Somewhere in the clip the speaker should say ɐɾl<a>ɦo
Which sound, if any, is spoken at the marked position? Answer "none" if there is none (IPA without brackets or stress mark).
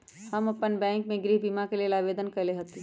e